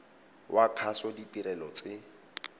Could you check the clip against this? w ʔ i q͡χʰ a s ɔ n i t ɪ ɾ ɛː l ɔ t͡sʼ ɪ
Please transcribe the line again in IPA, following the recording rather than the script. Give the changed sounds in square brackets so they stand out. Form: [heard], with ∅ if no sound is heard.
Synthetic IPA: w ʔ [a] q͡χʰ a s ɔ [d] i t [i] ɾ [ɛ] l ɔ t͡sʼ ɪ